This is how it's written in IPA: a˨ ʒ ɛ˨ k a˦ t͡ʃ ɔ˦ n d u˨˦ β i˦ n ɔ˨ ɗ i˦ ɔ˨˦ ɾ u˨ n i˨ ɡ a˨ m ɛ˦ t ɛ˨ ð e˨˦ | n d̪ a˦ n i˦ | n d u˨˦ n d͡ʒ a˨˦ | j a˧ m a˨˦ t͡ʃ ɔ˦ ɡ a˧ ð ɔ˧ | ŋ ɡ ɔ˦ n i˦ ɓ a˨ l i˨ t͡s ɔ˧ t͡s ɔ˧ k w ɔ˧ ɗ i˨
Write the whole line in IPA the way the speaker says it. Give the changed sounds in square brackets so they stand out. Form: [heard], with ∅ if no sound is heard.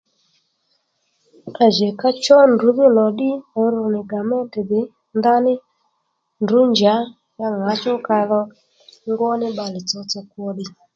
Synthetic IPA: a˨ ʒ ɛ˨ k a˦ t͡ʃ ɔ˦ n d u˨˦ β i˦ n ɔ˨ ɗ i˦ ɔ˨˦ ɾ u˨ n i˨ ɡ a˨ m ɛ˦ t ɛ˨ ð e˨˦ | n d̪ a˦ n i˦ | n d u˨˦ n d͡ʒ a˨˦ | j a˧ [ŋ] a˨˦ t͡ʃ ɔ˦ [k] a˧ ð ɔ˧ | ŋ ɡ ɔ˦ n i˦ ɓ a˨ l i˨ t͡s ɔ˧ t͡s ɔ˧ k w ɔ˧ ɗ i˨